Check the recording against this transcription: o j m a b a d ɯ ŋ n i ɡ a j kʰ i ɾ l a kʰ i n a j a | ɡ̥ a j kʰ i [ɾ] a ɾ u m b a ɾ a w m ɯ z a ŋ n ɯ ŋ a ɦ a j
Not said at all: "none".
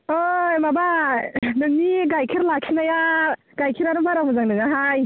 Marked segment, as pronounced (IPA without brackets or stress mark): ɾ